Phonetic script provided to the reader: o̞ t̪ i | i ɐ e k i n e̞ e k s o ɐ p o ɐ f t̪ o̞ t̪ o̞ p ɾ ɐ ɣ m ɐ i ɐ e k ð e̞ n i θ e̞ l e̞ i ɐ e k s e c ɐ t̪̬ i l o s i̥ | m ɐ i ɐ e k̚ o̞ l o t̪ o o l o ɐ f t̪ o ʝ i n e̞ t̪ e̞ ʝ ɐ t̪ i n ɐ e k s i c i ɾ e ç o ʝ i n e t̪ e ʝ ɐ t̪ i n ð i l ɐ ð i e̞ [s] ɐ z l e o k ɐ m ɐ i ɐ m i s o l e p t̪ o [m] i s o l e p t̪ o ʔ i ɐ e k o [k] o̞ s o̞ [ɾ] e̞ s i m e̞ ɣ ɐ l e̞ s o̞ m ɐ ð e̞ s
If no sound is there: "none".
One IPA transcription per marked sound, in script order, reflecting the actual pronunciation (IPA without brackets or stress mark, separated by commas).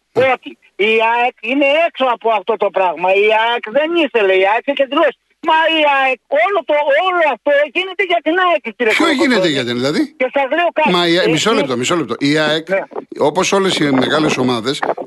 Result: s, m, p, l